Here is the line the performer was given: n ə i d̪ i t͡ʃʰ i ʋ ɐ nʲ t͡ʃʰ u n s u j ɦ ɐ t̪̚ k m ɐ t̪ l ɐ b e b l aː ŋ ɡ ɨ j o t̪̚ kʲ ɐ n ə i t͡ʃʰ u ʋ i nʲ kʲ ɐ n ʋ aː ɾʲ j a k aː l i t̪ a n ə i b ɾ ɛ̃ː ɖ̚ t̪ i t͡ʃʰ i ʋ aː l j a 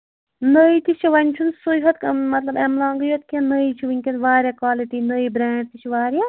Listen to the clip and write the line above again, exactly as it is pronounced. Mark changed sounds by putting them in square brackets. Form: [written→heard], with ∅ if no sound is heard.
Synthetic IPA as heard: n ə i [d̪→t̪] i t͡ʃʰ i ʋ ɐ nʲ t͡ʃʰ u n s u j ɦ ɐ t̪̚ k m ɐ t̪ l ɐ b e [b→m] l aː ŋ ɡ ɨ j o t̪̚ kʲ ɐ n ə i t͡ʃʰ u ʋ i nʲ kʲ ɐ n ʋ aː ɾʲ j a k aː l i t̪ [a→i] n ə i b ɾ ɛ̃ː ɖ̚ t̪ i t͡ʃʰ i ʋ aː [l→ɾ] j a